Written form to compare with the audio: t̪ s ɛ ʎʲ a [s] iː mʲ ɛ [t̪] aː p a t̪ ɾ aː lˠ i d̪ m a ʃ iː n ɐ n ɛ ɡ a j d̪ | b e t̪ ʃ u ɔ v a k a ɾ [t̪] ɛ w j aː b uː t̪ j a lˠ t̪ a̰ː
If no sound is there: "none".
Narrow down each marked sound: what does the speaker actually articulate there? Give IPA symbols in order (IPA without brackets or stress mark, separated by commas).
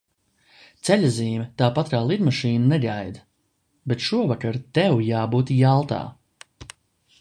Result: z, t̪, t̪